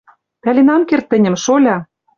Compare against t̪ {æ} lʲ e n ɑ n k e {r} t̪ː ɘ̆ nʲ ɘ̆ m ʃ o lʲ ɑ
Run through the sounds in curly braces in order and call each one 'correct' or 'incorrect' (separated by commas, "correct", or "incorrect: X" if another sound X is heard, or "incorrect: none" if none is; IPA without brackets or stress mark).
correct, correct